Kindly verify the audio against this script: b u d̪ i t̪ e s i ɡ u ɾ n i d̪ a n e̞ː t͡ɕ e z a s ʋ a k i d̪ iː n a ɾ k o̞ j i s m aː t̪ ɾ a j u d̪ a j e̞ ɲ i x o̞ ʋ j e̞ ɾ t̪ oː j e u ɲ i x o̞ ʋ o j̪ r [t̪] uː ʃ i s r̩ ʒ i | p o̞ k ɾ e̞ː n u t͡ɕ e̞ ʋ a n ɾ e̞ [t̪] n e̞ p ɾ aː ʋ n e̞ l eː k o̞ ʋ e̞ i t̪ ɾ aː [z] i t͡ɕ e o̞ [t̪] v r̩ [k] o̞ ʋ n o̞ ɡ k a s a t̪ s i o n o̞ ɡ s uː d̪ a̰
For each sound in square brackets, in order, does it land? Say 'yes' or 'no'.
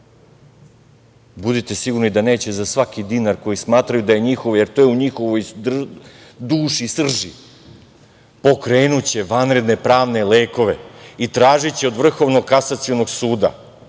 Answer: no, no, no, no, no

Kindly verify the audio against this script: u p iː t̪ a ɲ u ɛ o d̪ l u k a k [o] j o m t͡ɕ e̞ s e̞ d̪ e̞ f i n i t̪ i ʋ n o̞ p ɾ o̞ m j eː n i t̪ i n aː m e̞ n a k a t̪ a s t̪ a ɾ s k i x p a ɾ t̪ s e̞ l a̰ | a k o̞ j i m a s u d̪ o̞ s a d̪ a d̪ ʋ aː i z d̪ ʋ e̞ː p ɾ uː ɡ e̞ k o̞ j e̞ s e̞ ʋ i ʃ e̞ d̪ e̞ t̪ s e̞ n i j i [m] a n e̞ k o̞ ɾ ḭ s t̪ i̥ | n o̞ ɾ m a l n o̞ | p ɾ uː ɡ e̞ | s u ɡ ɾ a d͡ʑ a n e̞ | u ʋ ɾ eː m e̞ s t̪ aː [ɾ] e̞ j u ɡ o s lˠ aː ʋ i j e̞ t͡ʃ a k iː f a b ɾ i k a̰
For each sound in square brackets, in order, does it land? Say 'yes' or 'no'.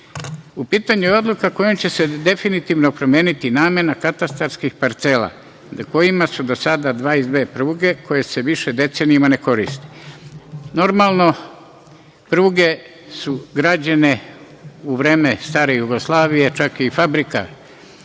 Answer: yes, yes, yes

